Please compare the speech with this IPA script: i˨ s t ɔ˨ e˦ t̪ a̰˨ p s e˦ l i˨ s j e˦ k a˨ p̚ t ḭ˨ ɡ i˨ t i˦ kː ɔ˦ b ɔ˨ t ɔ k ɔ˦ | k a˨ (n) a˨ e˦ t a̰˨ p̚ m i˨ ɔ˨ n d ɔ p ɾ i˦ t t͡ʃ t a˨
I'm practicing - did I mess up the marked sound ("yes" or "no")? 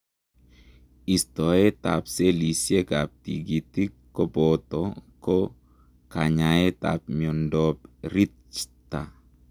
yes